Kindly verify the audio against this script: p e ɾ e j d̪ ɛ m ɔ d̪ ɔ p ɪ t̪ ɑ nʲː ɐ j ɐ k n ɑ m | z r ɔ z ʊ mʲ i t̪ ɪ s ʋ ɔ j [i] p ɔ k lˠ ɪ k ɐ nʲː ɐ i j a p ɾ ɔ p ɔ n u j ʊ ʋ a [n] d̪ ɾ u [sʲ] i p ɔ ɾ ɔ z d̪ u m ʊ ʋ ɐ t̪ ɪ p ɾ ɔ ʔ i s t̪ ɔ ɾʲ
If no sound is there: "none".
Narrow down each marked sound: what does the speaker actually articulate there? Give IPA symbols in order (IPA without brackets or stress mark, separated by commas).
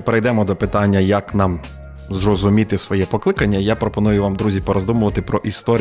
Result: ɛ, m, zʲ